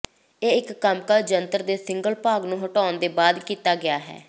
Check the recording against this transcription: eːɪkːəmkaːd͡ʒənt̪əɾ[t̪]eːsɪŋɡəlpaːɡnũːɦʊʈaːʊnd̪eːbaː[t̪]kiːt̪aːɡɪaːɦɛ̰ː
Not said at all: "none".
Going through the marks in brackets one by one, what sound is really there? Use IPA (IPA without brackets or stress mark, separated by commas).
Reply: d̪, d̪